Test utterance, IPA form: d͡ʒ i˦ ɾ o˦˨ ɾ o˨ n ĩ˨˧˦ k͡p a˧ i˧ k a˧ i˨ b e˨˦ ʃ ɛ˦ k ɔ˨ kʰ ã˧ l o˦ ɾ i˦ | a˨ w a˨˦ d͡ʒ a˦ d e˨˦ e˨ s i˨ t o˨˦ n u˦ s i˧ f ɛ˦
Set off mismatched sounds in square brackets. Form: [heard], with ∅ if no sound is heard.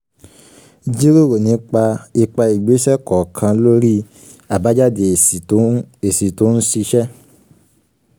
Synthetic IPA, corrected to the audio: d͡ʒ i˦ ɾ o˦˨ ɾ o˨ n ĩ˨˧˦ k͡p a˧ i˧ [k͡p] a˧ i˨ [ɡ͡b] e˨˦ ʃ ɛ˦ k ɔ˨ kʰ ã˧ l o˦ ɾ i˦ | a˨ [b] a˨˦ d͡ʒ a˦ d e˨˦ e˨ s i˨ t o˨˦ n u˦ s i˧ [ʃ] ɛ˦